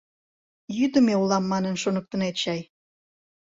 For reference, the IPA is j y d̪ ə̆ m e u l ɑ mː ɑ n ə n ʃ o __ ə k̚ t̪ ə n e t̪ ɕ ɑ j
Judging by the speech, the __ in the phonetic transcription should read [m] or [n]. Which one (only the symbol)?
n